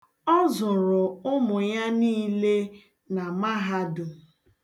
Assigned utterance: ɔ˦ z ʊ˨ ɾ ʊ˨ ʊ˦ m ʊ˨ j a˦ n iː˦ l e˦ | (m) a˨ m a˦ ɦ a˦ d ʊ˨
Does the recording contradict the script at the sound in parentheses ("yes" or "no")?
yes